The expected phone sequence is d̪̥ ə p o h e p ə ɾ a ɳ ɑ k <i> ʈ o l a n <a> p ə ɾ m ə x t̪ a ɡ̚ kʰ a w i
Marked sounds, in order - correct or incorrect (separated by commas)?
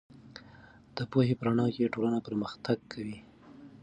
incorrect, correct